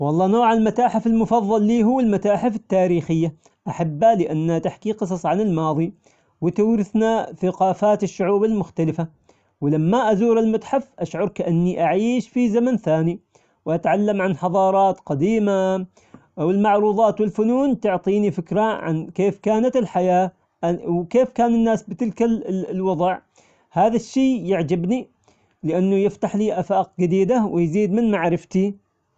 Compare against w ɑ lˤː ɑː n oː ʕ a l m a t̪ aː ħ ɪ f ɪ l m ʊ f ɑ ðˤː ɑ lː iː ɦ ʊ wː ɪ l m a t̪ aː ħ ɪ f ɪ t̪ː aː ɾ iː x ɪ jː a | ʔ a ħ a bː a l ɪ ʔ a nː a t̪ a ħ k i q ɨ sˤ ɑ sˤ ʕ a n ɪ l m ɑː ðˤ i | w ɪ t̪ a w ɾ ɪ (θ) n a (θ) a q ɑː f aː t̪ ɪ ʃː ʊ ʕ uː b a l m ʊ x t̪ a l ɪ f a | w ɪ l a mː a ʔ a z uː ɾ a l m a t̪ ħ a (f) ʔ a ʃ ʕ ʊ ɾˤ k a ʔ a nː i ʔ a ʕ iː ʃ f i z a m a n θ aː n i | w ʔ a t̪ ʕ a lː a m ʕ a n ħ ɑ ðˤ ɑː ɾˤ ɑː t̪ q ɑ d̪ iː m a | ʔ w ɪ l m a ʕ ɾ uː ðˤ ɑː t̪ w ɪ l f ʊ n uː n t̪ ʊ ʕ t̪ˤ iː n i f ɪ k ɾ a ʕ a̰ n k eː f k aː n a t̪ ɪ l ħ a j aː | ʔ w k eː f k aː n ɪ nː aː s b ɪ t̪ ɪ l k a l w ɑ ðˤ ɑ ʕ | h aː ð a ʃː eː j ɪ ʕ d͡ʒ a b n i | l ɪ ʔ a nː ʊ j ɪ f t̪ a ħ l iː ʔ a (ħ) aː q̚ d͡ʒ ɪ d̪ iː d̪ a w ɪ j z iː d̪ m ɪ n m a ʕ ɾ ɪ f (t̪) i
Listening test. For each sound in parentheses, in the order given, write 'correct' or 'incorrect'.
correct, correct, correct, incorrect: f, correct

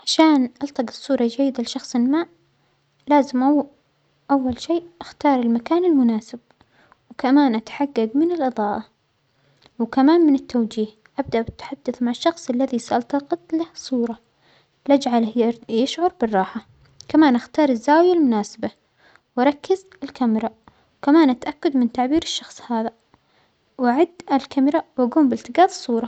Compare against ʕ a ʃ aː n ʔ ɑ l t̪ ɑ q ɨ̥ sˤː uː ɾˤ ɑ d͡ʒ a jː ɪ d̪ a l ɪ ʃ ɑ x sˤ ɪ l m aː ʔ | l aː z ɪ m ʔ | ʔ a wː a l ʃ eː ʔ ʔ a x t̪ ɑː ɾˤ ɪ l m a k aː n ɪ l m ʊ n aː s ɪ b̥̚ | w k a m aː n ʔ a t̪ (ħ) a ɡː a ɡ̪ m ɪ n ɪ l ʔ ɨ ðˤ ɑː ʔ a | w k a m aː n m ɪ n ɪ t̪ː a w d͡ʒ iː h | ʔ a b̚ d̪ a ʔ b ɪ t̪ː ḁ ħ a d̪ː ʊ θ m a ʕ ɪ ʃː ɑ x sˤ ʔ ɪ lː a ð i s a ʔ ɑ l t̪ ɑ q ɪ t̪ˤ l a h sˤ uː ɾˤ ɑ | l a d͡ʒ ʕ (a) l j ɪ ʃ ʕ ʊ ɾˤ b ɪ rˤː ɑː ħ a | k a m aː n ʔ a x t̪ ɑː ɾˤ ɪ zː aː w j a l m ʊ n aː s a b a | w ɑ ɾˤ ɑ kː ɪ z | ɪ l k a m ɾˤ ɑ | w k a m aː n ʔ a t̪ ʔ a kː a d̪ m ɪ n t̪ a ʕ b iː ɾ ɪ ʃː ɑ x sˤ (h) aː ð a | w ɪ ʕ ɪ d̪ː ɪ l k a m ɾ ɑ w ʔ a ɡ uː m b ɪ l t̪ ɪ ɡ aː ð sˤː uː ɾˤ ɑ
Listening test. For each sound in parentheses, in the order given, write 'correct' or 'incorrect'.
correct, correct, correct

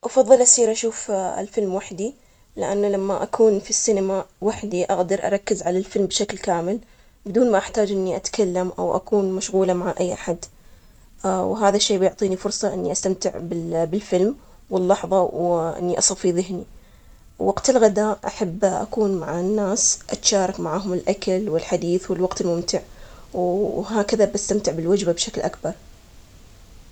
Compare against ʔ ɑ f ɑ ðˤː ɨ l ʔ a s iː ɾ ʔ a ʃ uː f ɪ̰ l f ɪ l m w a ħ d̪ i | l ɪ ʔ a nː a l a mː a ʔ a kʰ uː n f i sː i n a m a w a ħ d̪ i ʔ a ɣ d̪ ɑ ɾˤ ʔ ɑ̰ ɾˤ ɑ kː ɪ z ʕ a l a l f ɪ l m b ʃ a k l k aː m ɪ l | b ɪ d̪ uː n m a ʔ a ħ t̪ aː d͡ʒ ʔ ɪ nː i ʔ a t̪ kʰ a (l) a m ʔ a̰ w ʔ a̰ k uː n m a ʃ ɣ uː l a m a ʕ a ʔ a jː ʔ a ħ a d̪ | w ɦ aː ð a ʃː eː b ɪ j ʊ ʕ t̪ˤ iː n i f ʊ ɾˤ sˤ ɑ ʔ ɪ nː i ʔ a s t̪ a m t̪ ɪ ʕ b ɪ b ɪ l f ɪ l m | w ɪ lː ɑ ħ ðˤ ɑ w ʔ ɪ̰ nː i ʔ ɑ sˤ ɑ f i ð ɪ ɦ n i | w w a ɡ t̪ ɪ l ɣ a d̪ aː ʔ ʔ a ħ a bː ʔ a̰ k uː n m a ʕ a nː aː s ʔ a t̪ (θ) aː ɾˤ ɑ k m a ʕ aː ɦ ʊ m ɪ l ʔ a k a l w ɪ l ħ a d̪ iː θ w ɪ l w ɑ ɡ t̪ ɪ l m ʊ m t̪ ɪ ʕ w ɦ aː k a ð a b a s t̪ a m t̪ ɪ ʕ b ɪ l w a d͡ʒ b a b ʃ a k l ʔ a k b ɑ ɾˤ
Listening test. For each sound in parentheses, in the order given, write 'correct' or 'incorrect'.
incorrect: lː, incorrect: ʃ

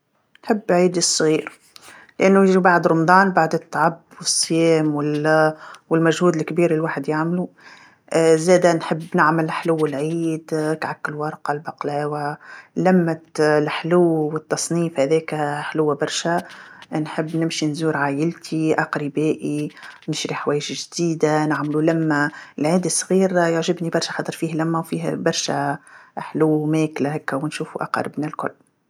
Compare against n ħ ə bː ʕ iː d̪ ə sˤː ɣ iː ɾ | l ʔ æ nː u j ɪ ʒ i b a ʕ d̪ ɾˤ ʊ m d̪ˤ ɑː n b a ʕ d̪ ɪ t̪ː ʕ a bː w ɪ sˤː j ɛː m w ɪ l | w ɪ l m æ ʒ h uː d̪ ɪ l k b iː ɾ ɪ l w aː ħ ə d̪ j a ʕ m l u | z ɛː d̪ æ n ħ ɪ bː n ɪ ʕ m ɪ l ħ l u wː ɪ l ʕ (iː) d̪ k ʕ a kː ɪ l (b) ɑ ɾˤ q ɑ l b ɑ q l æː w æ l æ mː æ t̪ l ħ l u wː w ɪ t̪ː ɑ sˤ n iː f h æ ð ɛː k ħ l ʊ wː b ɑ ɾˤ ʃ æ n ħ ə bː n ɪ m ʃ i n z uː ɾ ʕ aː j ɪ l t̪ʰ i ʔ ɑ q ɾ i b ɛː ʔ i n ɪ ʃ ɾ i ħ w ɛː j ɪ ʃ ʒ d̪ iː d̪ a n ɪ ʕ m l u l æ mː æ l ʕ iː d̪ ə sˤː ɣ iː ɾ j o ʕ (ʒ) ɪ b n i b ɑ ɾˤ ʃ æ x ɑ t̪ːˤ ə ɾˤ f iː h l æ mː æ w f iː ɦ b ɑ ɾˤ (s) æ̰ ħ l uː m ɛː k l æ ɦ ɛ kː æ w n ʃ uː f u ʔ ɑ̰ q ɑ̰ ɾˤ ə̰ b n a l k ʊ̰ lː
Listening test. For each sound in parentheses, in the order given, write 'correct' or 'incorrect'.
correct, incorrect: w, correct, incorrect: ʃ

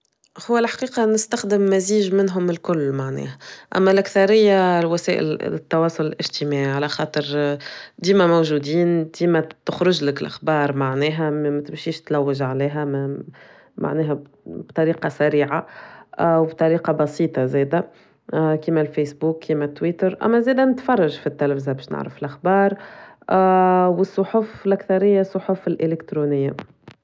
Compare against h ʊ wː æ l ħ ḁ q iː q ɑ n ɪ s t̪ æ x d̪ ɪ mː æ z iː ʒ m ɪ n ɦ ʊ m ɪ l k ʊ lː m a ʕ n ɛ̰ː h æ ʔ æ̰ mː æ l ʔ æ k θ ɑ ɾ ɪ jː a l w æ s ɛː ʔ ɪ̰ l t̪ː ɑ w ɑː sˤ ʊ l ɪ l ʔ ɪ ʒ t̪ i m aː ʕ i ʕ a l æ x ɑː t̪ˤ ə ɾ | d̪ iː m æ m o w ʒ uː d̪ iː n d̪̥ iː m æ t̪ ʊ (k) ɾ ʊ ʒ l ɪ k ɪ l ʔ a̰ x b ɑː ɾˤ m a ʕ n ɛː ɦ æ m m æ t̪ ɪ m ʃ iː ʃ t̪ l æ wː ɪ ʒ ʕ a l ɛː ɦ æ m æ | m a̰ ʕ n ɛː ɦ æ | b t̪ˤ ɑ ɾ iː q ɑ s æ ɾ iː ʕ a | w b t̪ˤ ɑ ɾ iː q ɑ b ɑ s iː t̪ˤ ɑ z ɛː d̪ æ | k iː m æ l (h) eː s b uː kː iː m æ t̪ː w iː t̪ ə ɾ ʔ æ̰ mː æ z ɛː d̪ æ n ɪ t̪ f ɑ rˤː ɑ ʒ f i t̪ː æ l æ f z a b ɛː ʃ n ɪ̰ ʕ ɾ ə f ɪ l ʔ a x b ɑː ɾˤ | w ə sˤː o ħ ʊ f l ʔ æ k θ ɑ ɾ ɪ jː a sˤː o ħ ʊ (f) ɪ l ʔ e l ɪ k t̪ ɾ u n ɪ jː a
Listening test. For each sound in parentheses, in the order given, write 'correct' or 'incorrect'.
incorrect: x, incorrect: f, correct

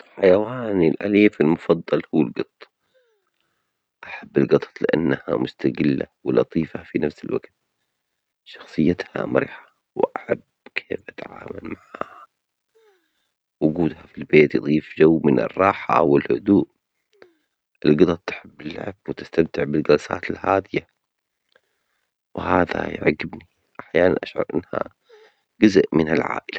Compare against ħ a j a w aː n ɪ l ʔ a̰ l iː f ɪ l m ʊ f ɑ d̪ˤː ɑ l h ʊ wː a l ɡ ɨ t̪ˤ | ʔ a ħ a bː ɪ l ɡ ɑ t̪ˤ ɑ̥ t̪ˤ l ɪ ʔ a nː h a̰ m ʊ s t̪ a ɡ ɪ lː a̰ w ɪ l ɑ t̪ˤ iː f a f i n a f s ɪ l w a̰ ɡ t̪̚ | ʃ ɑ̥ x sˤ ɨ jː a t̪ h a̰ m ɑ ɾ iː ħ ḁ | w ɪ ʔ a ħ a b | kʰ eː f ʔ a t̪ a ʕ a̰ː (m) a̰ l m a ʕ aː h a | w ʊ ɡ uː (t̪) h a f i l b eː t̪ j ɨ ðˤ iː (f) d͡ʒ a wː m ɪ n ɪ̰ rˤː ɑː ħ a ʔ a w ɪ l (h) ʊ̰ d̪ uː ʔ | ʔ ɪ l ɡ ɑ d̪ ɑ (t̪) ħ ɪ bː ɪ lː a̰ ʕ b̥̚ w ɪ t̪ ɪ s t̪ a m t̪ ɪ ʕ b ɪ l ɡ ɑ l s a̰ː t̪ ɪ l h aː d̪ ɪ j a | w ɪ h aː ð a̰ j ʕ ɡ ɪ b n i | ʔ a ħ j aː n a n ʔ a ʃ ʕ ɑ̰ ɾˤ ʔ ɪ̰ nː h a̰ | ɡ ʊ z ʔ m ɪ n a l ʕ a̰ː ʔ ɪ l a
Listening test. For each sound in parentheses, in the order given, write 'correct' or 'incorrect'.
correct, incorrect: d̪, correct, correct, correct

